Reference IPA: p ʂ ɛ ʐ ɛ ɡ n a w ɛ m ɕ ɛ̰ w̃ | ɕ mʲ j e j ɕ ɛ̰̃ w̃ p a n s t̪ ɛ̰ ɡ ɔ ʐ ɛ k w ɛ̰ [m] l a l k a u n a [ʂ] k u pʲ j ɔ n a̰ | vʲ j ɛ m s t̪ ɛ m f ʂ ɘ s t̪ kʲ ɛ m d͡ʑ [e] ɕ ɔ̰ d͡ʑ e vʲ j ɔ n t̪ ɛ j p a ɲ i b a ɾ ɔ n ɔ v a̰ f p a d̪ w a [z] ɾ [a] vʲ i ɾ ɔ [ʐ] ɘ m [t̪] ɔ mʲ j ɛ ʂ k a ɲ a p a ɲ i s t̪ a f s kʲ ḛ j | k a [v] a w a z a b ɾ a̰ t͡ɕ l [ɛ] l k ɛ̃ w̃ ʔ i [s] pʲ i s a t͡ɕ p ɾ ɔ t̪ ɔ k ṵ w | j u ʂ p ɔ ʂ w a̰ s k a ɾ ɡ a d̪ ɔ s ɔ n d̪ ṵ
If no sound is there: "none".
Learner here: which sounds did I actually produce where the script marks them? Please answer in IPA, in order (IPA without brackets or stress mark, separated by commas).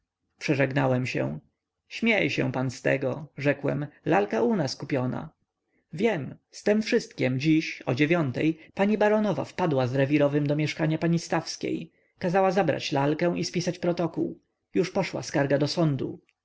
m, s, i, z, ɛ, v, d̪, z, a, s